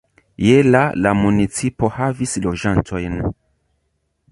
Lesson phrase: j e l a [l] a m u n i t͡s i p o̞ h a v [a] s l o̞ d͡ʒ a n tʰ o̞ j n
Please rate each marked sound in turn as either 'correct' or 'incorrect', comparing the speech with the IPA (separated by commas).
correct, incorrect